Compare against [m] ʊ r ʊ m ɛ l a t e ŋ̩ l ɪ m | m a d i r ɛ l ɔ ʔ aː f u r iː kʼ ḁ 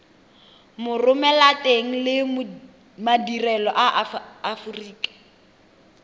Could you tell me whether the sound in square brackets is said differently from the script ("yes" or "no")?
no